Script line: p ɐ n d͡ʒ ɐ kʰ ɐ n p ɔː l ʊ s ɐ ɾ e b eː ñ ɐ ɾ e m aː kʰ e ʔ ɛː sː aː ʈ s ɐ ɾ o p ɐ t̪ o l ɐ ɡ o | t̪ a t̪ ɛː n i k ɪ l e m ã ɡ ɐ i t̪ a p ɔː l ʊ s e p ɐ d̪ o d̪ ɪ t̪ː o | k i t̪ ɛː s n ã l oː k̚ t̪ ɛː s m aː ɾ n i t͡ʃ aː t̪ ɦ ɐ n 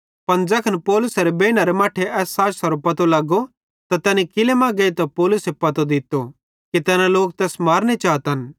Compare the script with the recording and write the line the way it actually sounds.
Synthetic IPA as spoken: p ɐ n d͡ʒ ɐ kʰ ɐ n p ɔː l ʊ s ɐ ɾ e b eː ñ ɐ ɾ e m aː ʈʰ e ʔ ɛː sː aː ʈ s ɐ ɾ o p ɐ t̪ o l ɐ ɡ o | t̪ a t̪ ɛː n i k ɪ l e m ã ɡ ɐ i t̪ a p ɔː l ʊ s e p ɐ t̪ o d̪ ɪ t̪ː o | k i t̪ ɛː n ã l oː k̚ t̪ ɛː s m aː ɾ n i t͡ʃ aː t̪ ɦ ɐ n

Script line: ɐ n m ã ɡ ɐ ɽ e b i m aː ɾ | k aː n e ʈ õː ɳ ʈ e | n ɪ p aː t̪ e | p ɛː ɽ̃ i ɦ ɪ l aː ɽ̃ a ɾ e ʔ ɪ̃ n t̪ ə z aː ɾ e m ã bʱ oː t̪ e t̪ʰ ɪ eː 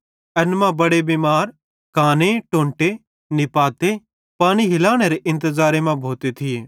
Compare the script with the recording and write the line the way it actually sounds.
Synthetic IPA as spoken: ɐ n m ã b ɐ ɽ e b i m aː ɾ | k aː n e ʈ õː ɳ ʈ e | n ɪ p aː t̪ e | p aː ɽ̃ i ɦ ɪ l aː ɽ̃ e ɾ e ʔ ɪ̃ n t̪ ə z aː ɾ e m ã bʱ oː t̪ e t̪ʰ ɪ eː

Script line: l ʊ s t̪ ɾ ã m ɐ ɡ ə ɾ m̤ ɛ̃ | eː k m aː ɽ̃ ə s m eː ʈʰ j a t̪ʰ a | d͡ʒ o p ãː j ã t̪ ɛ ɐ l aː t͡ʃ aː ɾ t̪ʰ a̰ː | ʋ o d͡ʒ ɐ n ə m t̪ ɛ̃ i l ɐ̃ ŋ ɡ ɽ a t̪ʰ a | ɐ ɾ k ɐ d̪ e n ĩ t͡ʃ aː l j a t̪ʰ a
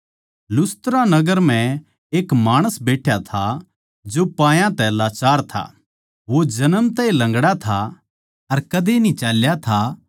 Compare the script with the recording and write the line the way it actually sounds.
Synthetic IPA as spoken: l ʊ s t̪ ɾ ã n ɐ ɡ ə ɾ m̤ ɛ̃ | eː k m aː ɽ̃ ə s b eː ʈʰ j a t̪ʰ a | d͡ʒ o p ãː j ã t̪ ɛ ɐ l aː t͡ʃ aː ɾ t̪ʰ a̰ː | ʋ o d͡ʒ ɐ n ə m t̪ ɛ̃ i l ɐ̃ ŋ ɡ ɽ a t̪ʰ a | ɐ ɾ k ɐ d̪ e n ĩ t͡ʃ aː l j a t̪ʰ a

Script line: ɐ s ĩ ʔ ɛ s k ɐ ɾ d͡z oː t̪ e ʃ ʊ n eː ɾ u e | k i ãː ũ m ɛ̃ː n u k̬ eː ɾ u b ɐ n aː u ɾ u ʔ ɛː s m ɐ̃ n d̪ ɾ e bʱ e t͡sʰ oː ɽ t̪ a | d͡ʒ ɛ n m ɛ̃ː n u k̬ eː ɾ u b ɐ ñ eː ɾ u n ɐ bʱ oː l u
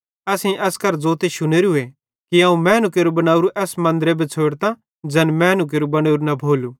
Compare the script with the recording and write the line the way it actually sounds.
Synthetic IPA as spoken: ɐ s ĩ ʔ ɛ s k ɐ ɾ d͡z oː t̪ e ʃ ʊ n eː ɾ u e | k i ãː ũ m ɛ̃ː n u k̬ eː ɾ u b ɐ n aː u ɾ u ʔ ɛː s m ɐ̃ n d̪ ɾ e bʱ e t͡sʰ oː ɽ t̪ a | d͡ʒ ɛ n m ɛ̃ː n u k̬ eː ɾ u b ɐ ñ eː ɾ u n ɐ bʱ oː l u

